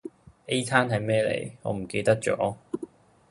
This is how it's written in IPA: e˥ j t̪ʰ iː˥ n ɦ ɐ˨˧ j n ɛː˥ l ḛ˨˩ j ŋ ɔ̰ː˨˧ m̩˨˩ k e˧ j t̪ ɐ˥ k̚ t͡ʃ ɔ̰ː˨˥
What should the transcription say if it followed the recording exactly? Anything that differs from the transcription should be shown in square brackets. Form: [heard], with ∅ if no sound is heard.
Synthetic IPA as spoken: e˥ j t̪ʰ [aː˥] n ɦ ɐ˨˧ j [m] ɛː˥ l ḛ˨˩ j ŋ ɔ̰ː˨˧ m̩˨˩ k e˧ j t̪ ɐ˥ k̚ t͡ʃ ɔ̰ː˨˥